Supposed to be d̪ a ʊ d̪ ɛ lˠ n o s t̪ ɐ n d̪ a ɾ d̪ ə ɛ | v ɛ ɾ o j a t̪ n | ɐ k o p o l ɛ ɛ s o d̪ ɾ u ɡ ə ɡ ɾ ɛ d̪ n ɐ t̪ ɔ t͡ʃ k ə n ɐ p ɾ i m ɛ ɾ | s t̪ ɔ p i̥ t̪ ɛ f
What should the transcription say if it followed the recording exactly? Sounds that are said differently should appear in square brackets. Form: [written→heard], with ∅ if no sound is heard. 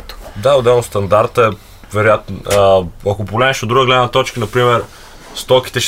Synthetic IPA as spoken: d̪ a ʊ d̪ ɛ lˠ n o s t̪ ɐ n d̪ a ɾ [d̪→t̪] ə ɛ | v ɛ ɾ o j a t̪ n | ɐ k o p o l ɛ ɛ [s→ʃ] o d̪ ɾ u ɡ ə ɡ [ɾ→l] ɛ d̪ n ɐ t̪ ɔ t͡ʃ k ə n ɐ p ɾ i m ɛ ɾ | s t̪ ɔ [p→k] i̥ t̪ ɛ [f→ʃ]